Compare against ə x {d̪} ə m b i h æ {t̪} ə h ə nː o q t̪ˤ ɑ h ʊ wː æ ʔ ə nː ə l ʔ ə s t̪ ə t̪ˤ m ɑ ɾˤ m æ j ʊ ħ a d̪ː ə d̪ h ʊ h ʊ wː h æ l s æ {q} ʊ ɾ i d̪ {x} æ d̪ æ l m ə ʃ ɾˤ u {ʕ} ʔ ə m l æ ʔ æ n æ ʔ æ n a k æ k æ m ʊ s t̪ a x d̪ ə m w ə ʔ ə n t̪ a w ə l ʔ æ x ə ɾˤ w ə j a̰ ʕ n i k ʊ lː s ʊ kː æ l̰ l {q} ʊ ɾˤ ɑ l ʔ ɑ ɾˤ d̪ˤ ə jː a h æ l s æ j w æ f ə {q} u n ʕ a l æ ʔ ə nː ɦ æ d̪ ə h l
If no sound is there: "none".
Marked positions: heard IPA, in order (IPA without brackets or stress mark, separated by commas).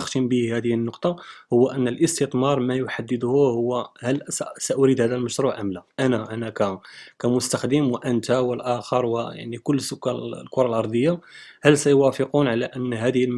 t̪, d̪, ʔ, h, ʕ, k, q